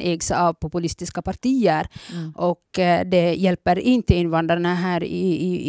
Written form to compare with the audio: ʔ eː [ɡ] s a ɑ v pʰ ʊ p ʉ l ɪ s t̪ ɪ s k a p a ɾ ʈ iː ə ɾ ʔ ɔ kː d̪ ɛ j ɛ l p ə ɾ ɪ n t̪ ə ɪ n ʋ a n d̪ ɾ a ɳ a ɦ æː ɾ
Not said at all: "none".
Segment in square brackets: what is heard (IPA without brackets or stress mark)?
ɡ